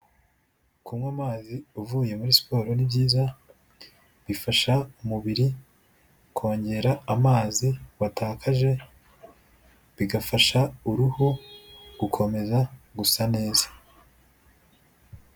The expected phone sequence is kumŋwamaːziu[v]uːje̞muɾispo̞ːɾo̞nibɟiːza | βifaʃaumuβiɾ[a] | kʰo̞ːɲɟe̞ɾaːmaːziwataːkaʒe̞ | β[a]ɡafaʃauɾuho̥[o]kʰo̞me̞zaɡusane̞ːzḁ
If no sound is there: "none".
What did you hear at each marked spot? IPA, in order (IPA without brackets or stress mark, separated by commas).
v, i, i, u